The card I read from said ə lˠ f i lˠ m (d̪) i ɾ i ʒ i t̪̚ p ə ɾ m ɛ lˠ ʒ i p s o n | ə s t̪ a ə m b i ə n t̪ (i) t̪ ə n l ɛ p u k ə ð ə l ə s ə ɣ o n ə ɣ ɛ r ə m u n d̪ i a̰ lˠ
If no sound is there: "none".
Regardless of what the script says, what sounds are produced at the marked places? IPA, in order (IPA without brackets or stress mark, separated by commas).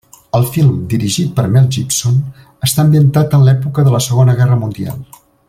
d̪, a